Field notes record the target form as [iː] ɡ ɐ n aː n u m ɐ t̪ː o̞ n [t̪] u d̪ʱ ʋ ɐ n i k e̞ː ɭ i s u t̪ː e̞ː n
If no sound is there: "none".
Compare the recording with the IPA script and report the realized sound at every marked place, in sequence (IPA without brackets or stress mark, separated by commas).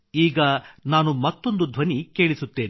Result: iː, d̪